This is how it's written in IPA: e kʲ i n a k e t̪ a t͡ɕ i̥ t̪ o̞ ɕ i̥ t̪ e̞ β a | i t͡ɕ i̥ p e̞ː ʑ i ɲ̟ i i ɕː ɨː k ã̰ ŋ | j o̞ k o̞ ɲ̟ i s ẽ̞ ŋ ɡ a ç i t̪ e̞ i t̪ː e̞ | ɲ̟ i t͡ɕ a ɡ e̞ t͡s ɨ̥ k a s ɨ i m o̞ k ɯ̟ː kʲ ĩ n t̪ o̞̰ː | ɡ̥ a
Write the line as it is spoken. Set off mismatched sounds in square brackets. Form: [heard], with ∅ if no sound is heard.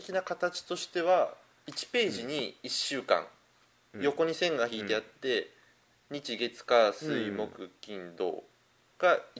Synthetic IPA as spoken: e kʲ i n a k [a] t̪ a t͡ɕ i̥ t̪ o̞ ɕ i̥ t̪ e̞ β a | i t͡ɕ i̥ p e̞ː ʑ i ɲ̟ i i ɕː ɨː k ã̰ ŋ | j o̞ k o̞ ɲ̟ i s ẽ̞ ŋ ɡ a ç [iː] t̪ e̞ [a] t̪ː e̞ | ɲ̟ i t͡ɕ [i] ɡ e̞ t͡s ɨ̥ k a s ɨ i m o̞ k [ɯ̟] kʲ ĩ n [d̪] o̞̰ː | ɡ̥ a